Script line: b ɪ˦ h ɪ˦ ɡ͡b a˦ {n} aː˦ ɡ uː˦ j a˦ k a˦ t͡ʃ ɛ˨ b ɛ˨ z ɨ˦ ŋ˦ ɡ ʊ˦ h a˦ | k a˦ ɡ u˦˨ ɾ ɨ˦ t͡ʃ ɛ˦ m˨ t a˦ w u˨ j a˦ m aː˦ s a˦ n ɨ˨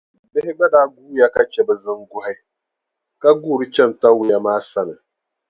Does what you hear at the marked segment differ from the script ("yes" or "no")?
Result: yes